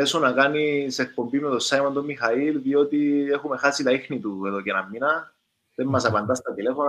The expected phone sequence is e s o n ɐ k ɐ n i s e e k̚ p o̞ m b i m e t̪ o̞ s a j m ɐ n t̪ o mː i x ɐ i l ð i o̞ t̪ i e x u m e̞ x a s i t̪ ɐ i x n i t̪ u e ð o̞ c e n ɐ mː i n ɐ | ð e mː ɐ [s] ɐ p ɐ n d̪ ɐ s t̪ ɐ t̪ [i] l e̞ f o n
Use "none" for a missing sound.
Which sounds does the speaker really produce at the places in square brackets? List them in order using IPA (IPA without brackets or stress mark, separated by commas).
s, i